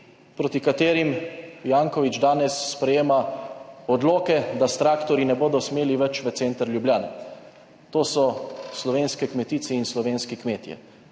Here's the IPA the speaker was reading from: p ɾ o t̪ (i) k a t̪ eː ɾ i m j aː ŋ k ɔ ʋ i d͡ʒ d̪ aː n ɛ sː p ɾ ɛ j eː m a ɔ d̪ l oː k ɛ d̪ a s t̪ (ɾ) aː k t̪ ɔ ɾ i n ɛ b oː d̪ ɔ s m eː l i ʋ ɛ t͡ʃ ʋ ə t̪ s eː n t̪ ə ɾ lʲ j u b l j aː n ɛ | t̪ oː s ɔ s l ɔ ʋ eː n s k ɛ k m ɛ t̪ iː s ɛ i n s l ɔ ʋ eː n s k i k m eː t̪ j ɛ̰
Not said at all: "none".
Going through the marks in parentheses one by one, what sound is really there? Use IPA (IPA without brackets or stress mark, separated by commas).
i, ɾ